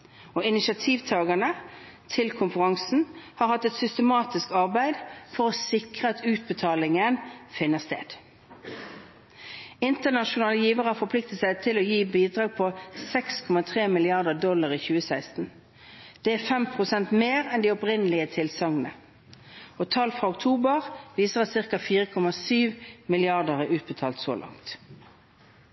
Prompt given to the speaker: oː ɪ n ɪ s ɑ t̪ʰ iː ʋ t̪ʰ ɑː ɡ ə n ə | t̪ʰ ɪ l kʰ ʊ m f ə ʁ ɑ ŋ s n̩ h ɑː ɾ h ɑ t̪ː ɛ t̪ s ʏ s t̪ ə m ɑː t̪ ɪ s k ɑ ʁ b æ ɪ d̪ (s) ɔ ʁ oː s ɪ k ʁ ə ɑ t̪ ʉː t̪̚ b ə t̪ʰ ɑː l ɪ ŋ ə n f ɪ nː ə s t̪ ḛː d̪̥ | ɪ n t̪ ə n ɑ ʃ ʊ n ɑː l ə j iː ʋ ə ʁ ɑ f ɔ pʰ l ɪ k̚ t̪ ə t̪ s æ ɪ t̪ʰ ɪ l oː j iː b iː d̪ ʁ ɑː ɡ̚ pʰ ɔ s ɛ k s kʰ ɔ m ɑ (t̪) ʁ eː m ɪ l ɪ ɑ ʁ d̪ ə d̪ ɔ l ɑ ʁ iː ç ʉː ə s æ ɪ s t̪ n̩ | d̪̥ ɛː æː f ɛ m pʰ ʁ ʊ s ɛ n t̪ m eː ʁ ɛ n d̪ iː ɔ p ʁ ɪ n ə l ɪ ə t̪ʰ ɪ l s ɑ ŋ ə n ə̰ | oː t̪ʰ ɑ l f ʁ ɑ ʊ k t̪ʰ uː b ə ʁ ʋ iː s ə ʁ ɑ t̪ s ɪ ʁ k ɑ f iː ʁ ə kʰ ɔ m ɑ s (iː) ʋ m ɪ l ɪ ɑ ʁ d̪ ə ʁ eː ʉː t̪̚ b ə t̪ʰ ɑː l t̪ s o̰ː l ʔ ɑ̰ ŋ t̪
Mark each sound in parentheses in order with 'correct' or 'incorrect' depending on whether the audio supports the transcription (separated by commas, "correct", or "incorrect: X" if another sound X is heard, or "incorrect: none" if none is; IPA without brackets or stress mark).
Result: incorrect: f, incorrect: t̪ʰ, incorrect: yː